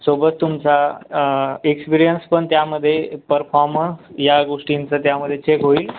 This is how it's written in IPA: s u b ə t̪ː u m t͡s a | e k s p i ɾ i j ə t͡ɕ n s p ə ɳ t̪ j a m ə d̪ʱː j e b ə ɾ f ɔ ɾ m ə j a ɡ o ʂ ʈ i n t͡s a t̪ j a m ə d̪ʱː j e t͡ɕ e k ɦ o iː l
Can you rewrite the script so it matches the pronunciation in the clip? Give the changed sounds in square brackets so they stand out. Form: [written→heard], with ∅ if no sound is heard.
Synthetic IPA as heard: s [u→o] b ə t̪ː u m t͡s a | e k s p i ɾ i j ə [t͡ɕ→∅] n s p ə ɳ t̪ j a m ə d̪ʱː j e [b→p] ə ɾ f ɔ ɾ m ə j a ɡ o ʂ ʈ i n t͡s [a→ə] t̪ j a m ə d̪ʱː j e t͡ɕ e k ɦ o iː l